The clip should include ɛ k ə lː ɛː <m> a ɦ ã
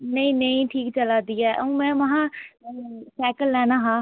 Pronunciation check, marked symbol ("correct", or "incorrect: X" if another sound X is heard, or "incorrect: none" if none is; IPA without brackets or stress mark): incorrect: n